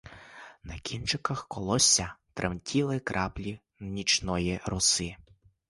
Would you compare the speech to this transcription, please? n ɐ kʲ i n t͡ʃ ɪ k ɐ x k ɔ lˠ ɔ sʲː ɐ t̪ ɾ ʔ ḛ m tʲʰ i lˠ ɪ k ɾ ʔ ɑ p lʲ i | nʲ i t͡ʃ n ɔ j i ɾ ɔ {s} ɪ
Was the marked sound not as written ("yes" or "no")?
no